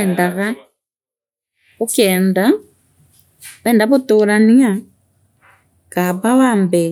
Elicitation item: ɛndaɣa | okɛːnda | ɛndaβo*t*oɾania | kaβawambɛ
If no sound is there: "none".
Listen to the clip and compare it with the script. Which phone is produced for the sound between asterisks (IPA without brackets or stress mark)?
t